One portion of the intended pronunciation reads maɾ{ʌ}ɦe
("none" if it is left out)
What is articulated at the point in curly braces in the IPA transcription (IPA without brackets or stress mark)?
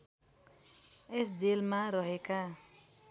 ʌ